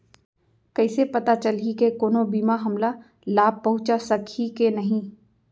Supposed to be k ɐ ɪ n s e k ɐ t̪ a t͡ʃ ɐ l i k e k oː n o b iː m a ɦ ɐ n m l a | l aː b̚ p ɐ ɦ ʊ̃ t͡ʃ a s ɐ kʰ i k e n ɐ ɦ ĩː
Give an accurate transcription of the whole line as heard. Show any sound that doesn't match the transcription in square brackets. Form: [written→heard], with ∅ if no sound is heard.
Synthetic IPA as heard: k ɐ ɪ [n→∅] s e [k→p] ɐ t̪ a t͡ʃ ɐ l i k e k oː n o b iː m a ɦ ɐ [n→∅] m l a | l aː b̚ p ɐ ɦ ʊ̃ t͡ʃ a s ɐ kʰ i k e n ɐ ɦ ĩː